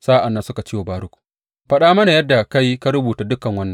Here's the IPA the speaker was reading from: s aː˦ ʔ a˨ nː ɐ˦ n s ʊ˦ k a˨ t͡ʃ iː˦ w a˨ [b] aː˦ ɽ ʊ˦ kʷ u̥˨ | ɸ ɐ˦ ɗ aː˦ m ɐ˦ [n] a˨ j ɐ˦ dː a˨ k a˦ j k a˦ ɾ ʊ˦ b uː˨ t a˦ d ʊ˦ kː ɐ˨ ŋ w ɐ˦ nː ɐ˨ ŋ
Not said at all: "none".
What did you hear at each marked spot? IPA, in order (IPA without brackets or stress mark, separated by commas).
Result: b, n